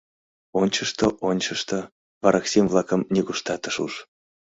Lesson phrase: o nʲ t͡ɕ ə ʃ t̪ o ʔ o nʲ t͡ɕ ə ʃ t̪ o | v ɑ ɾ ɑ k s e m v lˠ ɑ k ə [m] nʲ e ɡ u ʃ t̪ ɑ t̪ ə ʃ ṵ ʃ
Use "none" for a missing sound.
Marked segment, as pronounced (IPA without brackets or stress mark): m